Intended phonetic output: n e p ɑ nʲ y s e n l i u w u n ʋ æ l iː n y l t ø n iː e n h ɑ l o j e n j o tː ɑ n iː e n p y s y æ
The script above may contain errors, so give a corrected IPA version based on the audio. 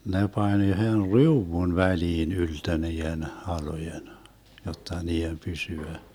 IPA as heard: n e p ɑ nʲ y h e n r i u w u n ʋ æ l iː n y l t ø n iː e n h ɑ l o j e n j o tː ɑ n iː e m p y s y æ